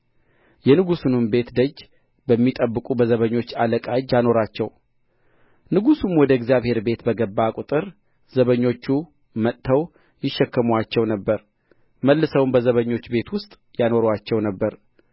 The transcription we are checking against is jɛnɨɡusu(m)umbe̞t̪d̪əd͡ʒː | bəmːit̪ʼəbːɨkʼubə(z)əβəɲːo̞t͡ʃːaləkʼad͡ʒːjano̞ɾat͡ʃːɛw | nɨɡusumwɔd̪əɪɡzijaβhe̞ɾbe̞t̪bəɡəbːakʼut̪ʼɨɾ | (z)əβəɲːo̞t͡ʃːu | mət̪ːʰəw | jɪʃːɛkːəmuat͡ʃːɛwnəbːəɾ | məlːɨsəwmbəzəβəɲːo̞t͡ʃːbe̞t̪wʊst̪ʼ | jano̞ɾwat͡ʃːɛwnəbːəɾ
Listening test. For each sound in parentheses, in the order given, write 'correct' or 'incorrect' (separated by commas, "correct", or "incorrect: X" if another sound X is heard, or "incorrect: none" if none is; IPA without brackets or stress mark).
incorrect: n, correct, correct